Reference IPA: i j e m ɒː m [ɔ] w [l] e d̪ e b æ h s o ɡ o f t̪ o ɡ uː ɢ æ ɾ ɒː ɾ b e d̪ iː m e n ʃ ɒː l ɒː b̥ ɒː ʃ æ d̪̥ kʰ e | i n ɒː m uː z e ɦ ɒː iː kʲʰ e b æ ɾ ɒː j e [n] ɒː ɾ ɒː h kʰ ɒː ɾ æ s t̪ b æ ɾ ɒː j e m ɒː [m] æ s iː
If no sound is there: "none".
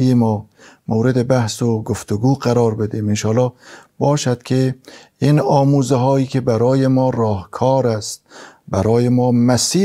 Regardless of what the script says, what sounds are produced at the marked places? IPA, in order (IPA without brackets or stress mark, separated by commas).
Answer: o, ɾ, m, m